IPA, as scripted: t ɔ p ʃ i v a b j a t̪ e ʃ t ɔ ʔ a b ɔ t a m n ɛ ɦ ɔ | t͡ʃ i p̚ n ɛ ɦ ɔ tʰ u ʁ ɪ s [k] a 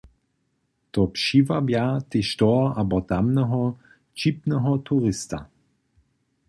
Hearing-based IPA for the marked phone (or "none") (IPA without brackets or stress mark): t